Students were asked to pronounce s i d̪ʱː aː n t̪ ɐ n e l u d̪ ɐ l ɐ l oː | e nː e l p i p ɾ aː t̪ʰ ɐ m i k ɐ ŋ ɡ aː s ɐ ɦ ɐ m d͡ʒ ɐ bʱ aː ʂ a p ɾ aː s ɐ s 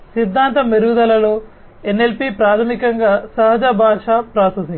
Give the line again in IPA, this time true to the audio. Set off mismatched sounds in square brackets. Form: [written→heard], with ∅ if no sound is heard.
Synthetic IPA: s i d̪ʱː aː n t̪ ɐ [n→m] e [l→ɾ] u d̪ ɐ l ɐ l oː | e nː e l p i p ɾ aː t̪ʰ ɐ m i k ɐ ŋ ɡ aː s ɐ ɦ ɐ [m→∅] d͡ʒ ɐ bʱ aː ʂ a p ɾ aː s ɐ s